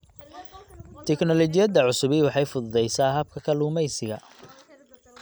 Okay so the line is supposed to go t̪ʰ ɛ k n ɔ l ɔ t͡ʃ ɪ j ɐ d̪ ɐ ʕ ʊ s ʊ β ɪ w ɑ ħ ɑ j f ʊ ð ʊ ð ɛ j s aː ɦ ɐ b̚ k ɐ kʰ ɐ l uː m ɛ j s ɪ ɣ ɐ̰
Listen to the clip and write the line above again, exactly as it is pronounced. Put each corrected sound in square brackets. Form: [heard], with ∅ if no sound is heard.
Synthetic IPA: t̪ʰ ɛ k n ɔ l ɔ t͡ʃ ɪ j ɐ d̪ ɐ ʕ ʊ s ʊ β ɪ w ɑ ħ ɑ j f ʊ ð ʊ ð ɛ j s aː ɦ ɐ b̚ [kʰ] ɐ kʰ ɐ l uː m ɛ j s ɪ ɣ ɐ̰